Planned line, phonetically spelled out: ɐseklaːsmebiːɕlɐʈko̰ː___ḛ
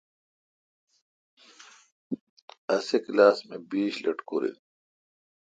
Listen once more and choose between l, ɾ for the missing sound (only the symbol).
ɾ